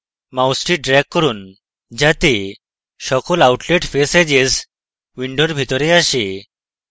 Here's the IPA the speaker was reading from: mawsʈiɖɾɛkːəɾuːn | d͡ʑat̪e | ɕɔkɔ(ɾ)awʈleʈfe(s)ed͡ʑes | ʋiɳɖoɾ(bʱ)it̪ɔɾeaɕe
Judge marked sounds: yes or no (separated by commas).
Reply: no, yes, yes